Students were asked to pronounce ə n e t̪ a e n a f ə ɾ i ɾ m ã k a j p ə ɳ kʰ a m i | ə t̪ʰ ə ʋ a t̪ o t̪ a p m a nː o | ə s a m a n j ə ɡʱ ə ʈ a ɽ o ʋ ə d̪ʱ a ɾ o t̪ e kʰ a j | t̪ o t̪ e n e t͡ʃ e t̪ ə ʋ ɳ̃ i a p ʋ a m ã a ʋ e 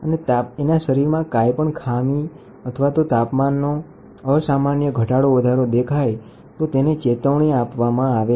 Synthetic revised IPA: ə n e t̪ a e n a ʃ ə ɾ i ɾ m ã k a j p ə ɳ kʰ a m i | ə t̪ʰ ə ʋ a t̪ o t̪ a p m a nː o | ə s a m a n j ə ɡʱ ə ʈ a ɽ o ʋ ə d̪ʱ a ɾ o d̪ e kʰ a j | t̪ o t̪ e n e t͡ʃ e t̪ ə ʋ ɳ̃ i a p ʋ a m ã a ʋ e